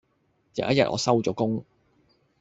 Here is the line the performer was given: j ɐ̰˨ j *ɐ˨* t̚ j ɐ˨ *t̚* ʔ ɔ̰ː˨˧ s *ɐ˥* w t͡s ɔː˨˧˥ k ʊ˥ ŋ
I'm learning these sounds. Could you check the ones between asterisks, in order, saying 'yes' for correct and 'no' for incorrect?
no, yes, yes

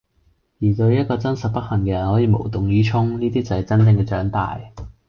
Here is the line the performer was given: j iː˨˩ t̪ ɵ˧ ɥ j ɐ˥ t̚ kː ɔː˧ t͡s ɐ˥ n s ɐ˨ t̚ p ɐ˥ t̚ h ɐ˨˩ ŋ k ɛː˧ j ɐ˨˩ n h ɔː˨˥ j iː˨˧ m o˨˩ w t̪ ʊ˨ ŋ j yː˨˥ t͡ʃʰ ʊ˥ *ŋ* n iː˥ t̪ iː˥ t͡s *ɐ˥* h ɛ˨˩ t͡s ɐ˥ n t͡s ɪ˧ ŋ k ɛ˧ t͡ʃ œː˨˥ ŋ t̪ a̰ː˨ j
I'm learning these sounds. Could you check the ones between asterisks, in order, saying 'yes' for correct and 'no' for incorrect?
yes, no

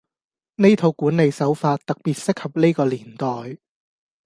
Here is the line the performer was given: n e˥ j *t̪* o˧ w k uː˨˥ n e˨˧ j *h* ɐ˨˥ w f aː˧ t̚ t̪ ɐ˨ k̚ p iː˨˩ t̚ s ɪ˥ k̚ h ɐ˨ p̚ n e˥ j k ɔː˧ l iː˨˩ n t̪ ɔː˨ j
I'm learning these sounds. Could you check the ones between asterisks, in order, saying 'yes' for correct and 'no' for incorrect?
no, no

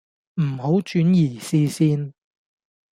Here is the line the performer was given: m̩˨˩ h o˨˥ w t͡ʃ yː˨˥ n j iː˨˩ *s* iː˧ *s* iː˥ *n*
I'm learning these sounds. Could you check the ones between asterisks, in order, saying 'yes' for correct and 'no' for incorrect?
yes, yes, yes

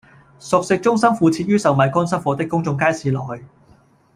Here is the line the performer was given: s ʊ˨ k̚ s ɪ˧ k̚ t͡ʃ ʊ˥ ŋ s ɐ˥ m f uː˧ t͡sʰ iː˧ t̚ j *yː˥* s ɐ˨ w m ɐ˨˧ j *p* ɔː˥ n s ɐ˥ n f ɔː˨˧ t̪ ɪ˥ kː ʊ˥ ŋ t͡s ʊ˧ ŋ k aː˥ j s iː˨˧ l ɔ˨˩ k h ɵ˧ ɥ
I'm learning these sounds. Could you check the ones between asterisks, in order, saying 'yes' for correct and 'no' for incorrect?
yes, no

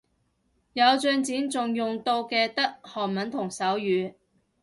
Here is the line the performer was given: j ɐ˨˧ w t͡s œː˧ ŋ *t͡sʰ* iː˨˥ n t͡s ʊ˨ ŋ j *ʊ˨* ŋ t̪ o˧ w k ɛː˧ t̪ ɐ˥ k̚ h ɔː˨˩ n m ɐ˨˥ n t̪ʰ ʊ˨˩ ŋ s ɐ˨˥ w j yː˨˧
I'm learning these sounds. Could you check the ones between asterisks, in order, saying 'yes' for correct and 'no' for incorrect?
no, yes

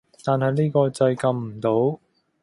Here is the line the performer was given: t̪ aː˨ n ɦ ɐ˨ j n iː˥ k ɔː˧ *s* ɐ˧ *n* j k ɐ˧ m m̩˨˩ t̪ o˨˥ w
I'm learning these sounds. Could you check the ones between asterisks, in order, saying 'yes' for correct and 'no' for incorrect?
no, no

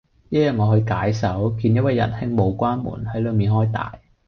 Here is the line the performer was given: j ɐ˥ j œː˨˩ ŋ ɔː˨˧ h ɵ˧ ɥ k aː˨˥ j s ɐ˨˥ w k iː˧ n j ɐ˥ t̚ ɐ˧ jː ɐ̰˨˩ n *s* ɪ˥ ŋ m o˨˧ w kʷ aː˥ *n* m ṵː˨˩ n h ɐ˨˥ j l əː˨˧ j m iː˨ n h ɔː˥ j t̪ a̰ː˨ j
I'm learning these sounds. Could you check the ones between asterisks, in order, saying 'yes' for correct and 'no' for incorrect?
no, yes

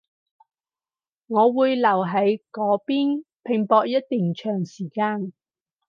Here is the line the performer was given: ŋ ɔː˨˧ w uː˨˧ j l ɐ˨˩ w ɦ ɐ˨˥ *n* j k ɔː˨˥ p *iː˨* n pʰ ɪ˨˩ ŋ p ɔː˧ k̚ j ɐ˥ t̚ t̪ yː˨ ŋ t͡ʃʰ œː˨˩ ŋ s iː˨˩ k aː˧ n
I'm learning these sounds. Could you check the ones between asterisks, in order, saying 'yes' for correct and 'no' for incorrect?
no, no

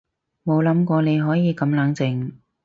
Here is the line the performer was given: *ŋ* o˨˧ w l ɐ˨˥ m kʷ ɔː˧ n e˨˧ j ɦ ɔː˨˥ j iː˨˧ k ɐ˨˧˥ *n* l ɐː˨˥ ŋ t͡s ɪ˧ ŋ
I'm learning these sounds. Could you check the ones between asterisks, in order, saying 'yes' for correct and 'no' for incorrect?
no, no

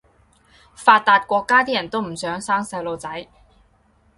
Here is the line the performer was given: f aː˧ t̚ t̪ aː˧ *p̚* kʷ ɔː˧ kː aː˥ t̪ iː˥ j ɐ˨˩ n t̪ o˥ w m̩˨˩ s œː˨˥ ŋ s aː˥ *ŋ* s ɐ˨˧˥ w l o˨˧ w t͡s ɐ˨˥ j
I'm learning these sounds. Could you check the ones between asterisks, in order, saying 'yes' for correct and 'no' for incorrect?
no, yes

